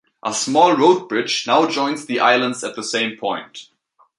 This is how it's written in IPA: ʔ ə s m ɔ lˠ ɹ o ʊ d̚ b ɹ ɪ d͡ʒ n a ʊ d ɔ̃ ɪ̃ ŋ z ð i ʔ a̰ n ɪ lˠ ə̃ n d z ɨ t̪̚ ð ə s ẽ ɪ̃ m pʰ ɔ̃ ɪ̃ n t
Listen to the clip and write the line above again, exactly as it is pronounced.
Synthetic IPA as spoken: ʔ ə s m ɔ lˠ ɹ o ʊ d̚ b ɹ ɪ d͡ʒ n a ʊ d͡ʒ ɔ̃ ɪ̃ n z ð i ʔ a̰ ɪ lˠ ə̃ n d z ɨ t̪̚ ð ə s ẽ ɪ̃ m pʰ ɔ̃ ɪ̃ n t